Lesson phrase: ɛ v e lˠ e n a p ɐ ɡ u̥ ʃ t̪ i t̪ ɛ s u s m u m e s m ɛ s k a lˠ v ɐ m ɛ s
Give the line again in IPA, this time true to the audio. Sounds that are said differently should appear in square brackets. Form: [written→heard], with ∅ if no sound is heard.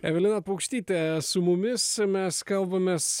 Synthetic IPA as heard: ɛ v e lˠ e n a p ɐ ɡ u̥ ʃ t̪ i t̪ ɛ s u [s→∅] m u m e s m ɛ s k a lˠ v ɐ m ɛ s